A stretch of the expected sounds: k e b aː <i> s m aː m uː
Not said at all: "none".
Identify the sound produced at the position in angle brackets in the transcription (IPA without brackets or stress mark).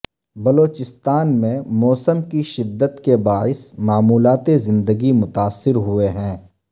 ɪ